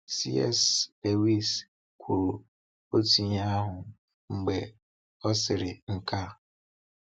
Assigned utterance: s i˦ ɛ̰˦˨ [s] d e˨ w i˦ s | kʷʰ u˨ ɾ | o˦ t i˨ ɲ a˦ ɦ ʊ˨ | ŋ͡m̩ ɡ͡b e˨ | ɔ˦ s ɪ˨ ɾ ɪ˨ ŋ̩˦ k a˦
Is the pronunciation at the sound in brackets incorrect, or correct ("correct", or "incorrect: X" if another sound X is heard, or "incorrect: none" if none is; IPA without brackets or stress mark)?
correct